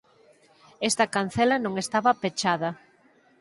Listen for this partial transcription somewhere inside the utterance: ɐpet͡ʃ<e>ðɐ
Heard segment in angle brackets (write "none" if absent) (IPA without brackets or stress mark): a